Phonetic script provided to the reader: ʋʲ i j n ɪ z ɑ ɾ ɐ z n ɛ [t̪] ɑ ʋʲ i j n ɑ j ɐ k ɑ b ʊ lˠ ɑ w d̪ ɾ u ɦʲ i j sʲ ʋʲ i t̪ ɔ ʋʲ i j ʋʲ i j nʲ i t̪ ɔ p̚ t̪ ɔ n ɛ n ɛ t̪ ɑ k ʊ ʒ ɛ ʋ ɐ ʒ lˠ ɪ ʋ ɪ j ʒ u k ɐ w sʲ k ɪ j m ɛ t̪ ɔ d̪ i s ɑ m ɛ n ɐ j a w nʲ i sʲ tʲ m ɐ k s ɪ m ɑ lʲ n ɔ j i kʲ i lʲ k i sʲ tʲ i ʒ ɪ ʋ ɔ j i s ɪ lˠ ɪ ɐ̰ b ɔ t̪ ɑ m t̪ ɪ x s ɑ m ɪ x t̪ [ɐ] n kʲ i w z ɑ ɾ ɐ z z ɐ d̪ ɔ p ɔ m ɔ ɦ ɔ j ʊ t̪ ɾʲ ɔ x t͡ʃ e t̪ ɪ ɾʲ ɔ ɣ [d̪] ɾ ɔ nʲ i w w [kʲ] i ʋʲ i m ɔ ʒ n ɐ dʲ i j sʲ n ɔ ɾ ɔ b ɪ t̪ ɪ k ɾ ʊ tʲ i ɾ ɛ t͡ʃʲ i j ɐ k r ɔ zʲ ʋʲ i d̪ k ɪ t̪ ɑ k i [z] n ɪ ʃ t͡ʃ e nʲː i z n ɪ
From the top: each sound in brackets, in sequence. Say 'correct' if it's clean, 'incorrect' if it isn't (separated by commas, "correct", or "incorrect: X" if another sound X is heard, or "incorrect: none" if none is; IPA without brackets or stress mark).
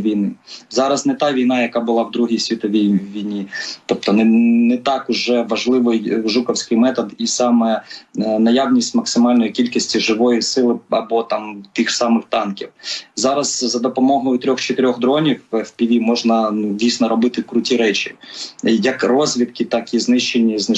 correct, incorrect: ɑ, correct, incorrect: pʲ, correct